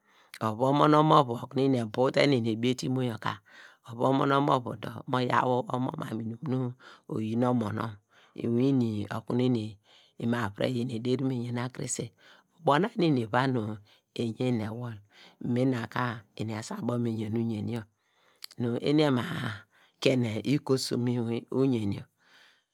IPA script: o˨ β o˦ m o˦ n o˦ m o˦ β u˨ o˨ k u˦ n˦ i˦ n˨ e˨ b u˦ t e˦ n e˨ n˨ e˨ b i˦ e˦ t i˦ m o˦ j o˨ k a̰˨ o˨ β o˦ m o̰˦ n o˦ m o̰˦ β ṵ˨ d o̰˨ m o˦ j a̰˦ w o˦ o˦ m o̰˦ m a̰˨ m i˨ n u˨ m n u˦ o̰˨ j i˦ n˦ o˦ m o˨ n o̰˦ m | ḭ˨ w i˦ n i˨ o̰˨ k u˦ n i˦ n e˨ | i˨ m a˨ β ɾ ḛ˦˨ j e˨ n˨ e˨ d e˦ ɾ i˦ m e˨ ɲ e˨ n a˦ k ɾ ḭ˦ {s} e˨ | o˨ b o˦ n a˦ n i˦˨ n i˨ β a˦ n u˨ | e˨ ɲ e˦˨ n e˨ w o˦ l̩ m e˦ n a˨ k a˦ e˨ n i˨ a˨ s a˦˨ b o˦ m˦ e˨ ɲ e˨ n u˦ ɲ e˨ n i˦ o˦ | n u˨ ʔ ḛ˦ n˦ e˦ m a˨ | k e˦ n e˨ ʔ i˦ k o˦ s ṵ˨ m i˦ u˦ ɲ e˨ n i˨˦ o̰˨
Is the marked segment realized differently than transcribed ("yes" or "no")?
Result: no